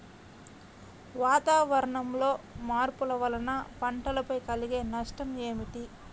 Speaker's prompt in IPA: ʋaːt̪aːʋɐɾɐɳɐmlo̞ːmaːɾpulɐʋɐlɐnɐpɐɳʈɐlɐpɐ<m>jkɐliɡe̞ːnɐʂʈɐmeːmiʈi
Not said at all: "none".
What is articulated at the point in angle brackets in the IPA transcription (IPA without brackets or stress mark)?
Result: none